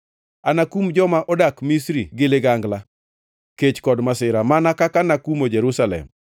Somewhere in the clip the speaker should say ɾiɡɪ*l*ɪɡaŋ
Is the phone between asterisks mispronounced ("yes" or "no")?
no